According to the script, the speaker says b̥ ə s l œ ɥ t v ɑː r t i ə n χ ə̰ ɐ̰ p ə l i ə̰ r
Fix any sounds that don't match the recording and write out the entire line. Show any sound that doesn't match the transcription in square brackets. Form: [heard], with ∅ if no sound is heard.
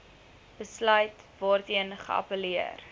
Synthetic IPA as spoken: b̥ ə s l œ ɥ t v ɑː r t i ə n χ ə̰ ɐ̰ p ə l i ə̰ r

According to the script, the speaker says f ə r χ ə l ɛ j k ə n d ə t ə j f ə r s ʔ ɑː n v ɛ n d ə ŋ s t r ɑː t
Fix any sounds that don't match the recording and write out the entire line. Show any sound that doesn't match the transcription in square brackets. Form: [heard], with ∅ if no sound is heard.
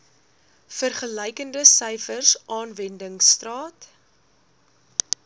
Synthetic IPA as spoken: f ə r χ ə l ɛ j k ə n d ə [s] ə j f ə r s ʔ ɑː n v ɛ n d ə ŋ s t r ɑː t

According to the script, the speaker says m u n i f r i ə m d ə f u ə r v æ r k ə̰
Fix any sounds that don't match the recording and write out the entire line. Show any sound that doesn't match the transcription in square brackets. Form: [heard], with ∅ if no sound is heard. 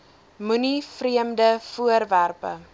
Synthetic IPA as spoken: m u n i f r i ə m d ə f u ə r v æ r [p] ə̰

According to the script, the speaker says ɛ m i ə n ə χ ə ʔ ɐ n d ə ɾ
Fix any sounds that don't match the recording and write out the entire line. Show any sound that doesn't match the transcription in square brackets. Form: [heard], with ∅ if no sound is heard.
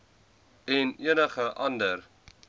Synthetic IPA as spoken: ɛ [n] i ə n ə χ ə ʔ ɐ n d ə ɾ

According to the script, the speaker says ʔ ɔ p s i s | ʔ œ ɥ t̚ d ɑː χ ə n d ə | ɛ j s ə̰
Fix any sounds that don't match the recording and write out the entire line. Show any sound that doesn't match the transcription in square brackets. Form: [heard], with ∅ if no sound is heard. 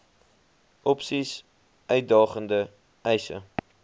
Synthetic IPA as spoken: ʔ ɔ p s i s | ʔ œ ɥ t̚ d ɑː χ ə n d ə | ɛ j s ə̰

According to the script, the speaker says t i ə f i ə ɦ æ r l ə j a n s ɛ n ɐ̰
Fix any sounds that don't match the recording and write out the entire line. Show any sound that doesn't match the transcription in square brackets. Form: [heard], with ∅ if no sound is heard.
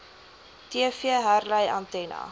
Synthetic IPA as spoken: t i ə f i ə ɦ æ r l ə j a n [t] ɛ n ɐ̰

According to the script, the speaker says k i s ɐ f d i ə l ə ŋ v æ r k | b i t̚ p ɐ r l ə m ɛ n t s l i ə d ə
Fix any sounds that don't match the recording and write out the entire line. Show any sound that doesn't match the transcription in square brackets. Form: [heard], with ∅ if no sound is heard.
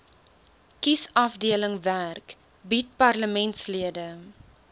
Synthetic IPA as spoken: k i s ɐ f d i ə l ə ŋ v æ r k | b i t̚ p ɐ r l ə m ɛ n t s l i ə d ə

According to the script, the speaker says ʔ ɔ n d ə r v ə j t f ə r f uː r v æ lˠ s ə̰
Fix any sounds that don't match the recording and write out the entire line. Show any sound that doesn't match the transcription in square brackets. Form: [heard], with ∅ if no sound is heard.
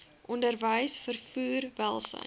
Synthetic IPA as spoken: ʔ ɔ n d ə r v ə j [s] f ə r f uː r v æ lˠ s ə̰

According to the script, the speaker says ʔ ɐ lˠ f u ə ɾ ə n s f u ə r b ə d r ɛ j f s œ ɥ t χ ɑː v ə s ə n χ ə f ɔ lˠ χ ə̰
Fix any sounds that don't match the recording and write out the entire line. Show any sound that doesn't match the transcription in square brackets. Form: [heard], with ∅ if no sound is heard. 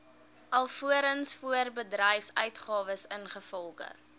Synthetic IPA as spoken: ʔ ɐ lˠ f u ə ɾ ə n s f u ə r b ə d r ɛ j f s œ ɥ t χ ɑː v ə s ə n χ ə f ɔ lˠ χ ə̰

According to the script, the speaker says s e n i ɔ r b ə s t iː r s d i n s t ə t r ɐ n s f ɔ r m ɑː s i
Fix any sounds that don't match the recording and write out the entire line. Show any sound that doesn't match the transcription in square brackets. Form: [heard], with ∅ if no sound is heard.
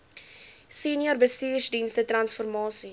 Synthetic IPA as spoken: s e n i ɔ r b ə s t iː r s d i n s t ə t r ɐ n s f ɔ r m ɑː s i

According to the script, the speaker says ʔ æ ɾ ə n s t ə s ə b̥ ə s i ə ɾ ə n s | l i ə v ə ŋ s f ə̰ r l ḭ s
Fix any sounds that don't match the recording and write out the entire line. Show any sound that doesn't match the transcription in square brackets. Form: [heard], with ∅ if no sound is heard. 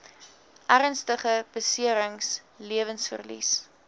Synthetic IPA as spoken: ʔ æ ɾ ə n s t ə [χ] ə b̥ ə s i ə ɾ ə [ŋ] s | l i ə v ə [n] s f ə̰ r l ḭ s

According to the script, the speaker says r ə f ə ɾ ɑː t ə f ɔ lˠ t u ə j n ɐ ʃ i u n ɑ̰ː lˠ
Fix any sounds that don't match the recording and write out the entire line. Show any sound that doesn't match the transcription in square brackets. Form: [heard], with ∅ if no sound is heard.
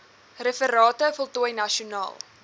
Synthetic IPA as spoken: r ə f ə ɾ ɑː t ə f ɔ lˠ t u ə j n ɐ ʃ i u n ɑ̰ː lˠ

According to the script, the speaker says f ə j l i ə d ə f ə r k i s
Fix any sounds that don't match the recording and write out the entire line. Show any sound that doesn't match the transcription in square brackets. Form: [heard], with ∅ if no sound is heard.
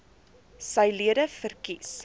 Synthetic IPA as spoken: [s] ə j l i ə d ə f ə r k i s

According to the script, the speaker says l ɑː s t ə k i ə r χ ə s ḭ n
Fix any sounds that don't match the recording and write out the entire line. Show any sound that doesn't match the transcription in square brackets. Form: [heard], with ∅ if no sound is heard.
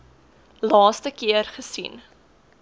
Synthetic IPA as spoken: l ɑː s t ə k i ə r χ ə s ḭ n

